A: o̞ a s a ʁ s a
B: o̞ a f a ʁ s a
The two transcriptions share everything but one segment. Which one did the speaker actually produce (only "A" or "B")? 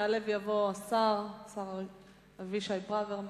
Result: A